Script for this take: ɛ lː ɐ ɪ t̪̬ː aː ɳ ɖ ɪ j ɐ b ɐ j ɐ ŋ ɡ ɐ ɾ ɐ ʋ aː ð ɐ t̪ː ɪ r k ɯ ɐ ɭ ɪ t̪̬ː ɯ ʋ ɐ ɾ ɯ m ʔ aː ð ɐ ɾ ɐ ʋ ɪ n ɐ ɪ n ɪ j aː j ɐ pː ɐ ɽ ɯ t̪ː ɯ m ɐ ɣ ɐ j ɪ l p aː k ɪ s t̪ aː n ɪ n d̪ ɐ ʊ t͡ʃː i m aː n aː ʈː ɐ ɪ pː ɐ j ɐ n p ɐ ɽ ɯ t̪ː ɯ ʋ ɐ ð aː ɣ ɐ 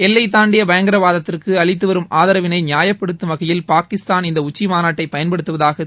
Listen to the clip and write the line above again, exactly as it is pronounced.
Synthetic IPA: ɛ lː ɐ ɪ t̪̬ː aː ɳ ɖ ɪ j ɐ b ɐ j ɐ ŋ ɡ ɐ ɾ ɐ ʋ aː ð ɐ t̪ː ɪ r k ɯ ɐ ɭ ɪ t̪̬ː ɯ ʋ ɐ ɾ ɯ m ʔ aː ð ɐ ɾ ɐ ʋ ɪ n ɐ ɪ n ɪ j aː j ɐ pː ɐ ɽ ɯ t̪ː ɯ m ɐ ɣ ɐ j ɪ l p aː k ɪ s t̪ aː n ɪ n d̪ ɐ ʊ t͡ʃː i m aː n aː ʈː ɐ ɪ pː ɐ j ɐ n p ɐ ɽ ɯ t̪ː ɯ ʋ ɐ ð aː ɣ ɐ

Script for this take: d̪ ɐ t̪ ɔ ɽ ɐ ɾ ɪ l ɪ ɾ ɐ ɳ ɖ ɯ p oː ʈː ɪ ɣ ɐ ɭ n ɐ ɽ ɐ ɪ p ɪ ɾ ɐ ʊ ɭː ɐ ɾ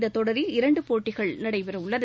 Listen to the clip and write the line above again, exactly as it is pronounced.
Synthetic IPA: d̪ ɐ t̪ ɔ ɽ ɐ ɾ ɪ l ɪ ɾ ɐ ɳ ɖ ɯ p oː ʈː ɪ ɣ ɐ ɭ n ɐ ɽ ɐ ɪ p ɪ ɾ ɐ ʊ ɭː ɐ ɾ

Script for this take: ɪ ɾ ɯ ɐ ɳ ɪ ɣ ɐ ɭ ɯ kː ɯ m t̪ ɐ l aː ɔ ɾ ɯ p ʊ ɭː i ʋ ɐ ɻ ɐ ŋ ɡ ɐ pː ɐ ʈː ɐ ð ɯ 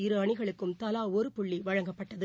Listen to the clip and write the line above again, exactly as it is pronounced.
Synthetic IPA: ɪ ɾ ɯ ɐ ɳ ɪ ɣ ɐ ɭ ɯ kː ɯ m t̪ ɐ l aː ɔ ɾ ɯ p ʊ ɭː i ʋ ɐ ɻ ɐ ŋ ɡ ɐ pː ɐ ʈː ɐ ð ɯ

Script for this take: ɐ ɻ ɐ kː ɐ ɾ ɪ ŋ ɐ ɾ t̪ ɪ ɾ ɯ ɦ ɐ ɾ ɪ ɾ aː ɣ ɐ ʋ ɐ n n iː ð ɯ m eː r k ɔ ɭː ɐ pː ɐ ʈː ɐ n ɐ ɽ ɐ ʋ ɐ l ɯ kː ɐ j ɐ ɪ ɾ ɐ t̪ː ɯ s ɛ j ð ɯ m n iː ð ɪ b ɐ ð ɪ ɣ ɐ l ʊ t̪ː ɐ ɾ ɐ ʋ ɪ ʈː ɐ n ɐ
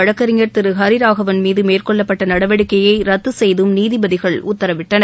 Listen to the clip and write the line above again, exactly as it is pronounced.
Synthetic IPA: ɐ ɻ ɐ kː ɐ ɾ ɪ ŋ ɐ ɾ t̪ ɪ ɾ ɯ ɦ ɐ ɾ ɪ ɾ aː ɣ ɐ ʋ ɐ n m iː ð ɯ m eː r k ɔ ɭː ɐ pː ɐ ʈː ɐ n ɐ ɽ ɐ ʋ ɐ ɽ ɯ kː ɐ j ɐ ɪ ɾ ɐ t̪ː ɯ s ɛ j ð ɯ m n iː ð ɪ b ɐ ð ɪ ɣ ɐ ɭ ʊ t̪ː ɐ ɾ ɐ ʋ ɪ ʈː ɐ n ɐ

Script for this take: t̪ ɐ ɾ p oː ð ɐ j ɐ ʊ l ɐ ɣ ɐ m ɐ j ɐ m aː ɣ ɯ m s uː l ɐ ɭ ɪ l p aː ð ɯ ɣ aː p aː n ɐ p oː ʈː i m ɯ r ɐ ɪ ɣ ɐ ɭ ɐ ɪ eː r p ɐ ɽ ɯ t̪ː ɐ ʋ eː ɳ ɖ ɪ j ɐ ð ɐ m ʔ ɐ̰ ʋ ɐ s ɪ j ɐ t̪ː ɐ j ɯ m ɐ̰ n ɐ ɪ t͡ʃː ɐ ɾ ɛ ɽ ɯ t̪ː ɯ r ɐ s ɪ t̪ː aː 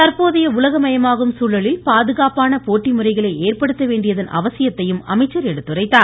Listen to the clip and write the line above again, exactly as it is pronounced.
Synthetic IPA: t̪ ɐ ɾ p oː ð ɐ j ɐ ʊ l ɐ ɣ ɐ m ɐ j ɐ m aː ɣ ɯ m s uː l ɐ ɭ ɪ l p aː ð ɯ ɣ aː p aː n ɐ p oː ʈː i m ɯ r ɐ ɪ ɣ ɐ ɭ ɐ ɪ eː r p ɐ ɽ ɯ t̪ː ɐ ʋ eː ɳ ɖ ɪ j ɐ ð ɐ n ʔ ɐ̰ ʋ ɐ s ɪ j ɐ t̪ː ɐ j ɯ m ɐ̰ m ɐ ɪ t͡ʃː ɐ ɾ ɛ ɽ ɯ t̪ː ɯ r ɐ ɪ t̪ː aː

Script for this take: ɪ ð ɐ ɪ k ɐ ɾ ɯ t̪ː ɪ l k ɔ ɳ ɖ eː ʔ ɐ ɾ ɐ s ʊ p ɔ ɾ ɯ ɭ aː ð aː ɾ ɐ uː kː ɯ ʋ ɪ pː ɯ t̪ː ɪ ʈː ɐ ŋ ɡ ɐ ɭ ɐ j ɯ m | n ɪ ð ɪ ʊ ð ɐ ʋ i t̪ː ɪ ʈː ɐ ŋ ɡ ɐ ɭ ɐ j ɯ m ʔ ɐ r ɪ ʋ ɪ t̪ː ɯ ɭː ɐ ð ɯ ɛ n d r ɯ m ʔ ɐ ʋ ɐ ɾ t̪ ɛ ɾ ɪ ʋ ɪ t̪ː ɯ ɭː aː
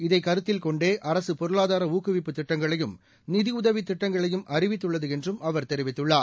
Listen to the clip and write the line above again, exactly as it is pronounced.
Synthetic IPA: ɪ ð ɐ ɪ k ɐ ɾ ɯ t̪ː ɪ l k ɔ ɳ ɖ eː ʔ ɐ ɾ ɐ s ɯ p ɔ ɾ ɯ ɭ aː ð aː ɾ ɐ uː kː ɯ ʋ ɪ pː ɯ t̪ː ɪ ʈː ɐ ŋ ɡ ɐ ɭ ɐ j ɯ m | n ɪ ð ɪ ʊ ð ɐ ʋ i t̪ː ɪ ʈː ɐ ŋ ɡ ɐ ɭ ɐ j ɯ m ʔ ɐ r ɪ ʋ ɪ t̪ː ɯ ɭː ɐ ð ɯ ɛ n d r ɯ m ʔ ɐ ʋ ɐ ɾ t̪ ɛ ɾ ɪ ʋ ɪ t̪ː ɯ ɭː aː

